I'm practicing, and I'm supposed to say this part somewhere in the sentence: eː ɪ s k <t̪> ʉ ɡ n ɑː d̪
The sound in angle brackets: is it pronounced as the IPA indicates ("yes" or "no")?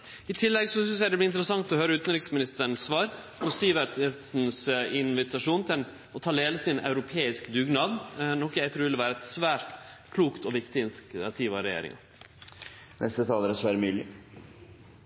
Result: no